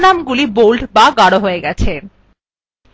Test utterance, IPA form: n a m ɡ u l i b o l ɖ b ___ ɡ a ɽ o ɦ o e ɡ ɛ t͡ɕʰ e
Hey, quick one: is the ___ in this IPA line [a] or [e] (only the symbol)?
a